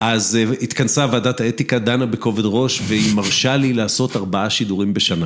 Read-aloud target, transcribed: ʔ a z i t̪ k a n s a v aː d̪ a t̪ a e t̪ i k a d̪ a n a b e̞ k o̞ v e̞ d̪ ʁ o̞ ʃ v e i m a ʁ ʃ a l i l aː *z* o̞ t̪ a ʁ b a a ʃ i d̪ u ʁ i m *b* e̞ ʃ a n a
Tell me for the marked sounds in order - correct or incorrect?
incorrect: s, correct

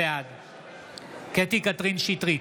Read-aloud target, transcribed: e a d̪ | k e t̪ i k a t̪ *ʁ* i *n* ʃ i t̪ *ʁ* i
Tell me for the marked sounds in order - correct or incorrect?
correct, correct, correct

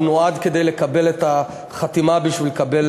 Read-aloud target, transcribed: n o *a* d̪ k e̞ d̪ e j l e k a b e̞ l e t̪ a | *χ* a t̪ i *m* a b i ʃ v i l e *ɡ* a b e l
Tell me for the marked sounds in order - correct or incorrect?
correct, correct, correct, incorrect: k

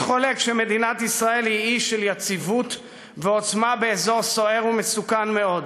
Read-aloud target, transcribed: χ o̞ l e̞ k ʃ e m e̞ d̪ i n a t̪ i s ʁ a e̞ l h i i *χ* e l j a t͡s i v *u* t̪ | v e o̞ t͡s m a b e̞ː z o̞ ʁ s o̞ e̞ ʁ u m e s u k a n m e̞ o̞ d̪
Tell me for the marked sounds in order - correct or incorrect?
incorrect: ʃ, correct

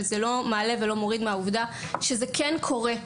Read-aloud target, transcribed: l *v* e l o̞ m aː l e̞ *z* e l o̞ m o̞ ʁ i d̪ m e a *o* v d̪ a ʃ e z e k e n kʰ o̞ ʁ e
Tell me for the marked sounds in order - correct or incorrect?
incorrect: z, incorrect: v, incorrect: u

